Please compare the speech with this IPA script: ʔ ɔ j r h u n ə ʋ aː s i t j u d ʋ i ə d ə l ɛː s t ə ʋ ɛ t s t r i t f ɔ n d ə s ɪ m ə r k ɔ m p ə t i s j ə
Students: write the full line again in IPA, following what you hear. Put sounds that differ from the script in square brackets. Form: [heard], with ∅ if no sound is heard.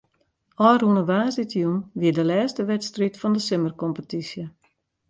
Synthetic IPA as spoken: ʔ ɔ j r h u n ə ʋ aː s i t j u [n] ʋ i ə d ə l ɛː s t ə ʋ ɛ t s t r i t f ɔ n d ə s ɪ m ə r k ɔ m p ə t i s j ə